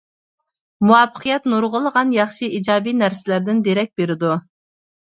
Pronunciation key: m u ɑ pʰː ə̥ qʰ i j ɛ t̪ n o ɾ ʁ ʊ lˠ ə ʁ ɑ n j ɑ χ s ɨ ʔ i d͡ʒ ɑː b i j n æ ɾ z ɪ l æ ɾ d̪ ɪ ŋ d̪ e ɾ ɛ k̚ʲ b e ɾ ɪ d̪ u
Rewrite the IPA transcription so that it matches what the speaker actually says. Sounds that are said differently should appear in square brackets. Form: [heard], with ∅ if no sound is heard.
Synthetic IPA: m u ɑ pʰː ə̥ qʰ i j ɛ t̪ n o ɾ ʁ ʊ lˠ ə ʁ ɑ n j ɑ χ [ʃ] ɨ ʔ i d͡ʒ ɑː b i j n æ ɾ [s] ɪ l æ ɾ d̪ ɪ [n] d̪ e ɾ ɛ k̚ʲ b e ɾ ɪ d̪ u